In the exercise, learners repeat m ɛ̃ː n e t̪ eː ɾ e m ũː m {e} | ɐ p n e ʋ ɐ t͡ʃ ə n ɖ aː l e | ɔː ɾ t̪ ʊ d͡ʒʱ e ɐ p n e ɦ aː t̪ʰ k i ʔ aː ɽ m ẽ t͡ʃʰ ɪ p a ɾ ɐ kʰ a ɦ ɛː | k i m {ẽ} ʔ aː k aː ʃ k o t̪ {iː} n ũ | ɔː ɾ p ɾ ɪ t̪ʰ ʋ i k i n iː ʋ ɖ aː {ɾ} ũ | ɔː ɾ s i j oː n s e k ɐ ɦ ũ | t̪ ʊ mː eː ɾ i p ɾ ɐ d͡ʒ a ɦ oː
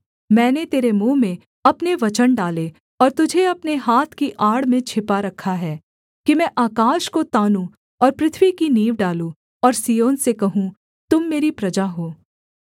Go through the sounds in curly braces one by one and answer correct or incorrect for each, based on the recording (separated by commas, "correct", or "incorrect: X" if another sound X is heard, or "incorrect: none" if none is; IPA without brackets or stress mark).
incorrect: ẽ, incorrect: ɛ̃, incorrect: aː, incorrect: l